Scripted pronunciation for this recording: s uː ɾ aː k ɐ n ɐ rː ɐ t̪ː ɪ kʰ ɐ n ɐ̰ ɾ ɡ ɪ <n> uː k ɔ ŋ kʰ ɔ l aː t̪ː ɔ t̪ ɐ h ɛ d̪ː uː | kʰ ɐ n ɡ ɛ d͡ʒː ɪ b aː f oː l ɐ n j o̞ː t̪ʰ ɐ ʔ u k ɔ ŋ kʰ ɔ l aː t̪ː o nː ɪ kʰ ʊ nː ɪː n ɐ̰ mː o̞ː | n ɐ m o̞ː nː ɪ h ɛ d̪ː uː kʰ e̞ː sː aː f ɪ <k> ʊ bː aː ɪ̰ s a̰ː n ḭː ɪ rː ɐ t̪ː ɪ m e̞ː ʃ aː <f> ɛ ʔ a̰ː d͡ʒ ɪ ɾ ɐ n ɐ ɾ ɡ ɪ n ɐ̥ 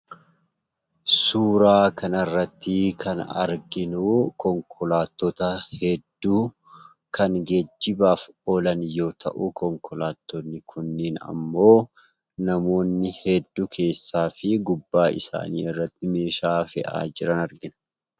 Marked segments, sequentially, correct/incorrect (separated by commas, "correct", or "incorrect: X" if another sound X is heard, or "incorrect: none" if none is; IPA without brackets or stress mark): correct, incorrect: ɡ, correct